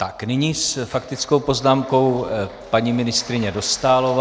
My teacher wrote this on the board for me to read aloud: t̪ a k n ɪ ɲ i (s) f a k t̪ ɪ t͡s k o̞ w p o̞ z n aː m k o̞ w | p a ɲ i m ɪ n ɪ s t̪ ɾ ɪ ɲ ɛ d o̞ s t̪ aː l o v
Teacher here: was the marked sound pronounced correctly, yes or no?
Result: yes